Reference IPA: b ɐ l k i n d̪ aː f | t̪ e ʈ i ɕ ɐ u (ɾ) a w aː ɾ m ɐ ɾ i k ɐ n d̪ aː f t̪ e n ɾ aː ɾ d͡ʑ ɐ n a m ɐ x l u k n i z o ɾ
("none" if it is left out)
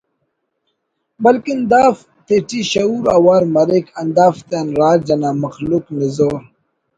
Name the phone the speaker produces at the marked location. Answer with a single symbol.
ɾ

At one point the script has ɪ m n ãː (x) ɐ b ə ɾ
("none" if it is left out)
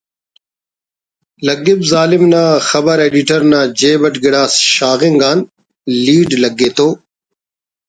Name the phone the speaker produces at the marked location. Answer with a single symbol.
x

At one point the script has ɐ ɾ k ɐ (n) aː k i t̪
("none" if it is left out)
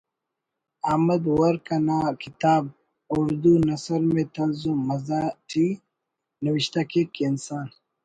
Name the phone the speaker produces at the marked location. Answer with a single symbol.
n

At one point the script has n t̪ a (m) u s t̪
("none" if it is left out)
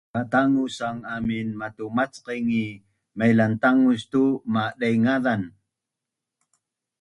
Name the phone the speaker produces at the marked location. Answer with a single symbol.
ŋ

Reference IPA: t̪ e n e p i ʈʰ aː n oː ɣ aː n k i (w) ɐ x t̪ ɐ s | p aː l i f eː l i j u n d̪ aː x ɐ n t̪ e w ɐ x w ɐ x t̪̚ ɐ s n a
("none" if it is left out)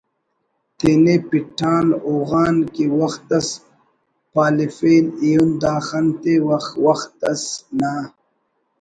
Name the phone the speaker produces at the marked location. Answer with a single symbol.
w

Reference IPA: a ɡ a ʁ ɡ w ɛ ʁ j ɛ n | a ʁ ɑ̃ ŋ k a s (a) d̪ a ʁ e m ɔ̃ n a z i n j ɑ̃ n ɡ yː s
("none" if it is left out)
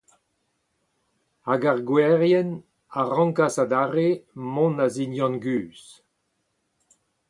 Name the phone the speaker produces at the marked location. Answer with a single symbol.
a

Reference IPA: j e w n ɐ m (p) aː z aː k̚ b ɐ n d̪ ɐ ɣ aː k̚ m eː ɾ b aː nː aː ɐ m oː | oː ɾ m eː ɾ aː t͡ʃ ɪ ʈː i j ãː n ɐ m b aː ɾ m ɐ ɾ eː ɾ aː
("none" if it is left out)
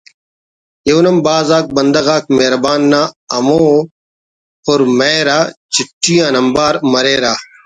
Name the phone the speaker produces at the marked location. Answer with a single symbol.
b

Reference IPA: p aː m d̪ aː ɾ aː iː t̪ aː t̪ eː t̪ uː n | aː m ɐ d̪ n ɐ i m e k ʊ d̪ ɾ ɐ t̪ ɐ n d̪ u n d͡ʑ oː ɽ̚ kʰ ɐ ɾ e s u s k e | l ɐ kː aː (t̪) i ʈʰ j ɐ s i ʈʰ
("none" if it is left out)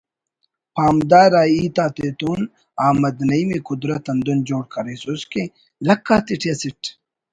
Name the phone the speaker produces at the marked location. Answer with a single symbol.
t̪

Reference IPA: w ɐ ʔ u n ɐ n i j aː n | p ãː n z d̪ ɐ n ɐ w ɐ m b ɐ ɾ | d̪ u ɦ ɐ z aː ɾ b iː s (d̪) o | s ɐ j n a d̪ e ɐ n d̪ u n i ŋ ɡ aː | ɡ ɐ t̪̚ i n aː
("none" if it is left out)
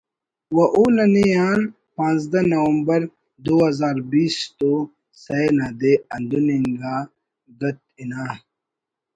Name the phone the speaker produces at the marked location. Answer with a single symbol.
t̪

